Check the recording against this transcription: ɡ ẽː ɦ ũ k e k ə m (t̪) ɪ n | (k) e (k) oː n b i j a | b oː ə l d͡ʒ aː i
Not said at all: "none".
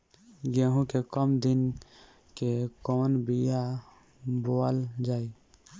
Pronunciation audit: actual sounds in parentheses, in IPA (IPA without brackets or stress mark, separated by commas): d̪, k, k